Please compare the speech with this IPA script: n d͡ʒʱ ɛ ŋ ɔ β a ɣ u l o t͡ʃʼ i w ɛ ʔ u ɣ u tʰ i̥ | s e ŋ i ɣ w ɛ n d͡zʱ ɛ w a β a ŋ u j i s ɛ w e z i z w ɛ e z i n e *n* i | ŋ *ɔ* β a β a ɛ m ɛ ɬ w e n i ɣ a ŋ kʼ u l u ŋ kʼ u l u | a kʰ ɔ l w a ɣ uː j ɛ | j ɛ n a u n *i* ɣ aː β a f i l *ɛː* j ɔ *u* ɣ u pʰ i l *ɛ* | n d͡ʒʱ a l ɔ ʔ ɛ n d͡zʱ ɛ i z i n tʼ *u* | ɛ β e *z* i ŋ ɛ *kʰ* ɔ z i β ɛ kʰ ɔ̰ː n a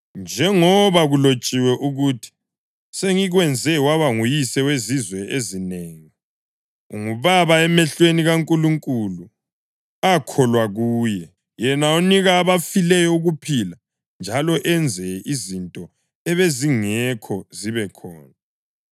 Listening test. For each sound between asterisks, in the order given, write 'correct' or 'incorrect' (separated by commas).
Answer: incorrect, incorrect, correct, incorrect, correct, incorrect, incorrect, correct, correct